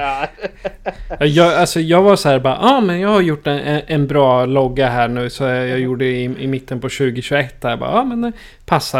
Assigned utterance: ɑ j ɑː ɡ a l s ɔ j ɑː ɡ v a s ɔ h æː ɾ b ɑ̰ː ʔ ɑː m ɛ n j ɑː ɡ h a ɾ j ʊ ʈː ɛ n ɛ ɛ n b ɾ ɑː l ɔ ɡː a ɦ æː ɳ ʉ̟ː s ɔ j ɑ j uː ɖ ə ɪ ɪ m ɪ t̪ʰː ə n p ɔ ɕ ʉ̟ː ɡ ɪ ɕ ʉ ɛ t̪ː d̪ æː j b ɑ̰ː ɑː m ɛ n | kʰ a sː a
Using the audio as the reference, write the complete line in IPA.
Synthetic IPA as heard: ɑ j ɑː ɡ a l s ɔ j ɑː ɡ v a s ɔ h æː ɾ b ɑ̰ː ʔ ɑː m ɛ n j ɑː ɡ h a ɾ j ʊ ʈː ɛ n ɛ ɛ n b ɾ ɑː l ɔ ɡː a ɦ æː ɳ ʉ̟ː s ɔ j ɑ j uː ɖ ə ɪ ɪ m ɪ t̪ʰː ə n p ɔ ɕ ʉ̟ː ɡ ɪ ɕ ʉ ɛ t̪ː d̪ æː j b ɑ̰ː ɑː m ɛ n | pʰ a sː a